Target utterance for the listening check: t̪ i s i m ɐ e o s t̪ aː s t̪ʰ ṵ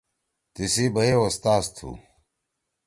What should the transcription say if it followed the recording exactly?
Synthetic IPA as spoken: t̪ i s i b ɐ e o s t̪ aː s t̪ʰ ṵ